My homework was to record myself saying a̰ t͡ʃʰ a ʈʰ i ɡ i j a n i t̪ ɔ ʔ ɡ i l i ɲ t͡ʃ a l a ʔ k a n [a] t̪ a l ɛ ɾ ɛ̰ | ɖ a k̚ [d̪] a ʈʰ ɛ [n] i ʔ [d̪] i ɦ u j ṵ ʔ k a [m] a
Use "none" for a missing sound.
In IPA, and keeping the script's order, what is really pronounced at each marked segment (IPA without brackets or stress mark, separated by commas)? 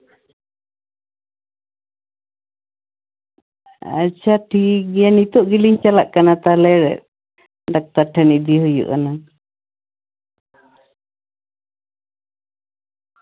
a, t̪, n, d̪, n